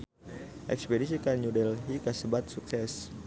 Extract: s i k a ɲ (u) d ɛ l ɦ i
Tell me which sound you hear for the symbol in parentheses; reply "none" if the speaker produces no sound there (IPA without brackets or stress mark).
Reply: u